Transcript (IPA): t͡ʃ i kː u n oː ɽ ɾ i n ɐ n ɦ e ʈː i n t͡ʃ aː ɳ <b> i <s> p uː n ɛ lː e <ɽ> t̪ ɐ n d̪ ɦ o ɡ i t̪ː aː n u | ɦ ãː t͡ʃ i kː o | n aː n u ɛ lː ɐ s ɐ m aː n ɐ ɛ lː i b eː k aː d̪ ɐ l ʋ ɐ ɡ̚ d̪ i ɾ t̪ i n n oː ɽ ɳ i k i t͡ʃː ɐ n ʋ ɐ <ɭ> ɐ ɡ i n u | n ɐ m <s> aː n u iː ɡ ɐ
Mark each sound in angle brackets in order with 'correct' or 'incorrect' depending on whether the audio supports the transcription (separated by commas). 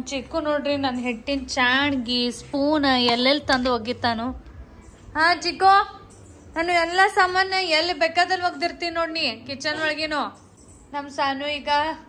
incorrect, correct, incorrect, correct, correct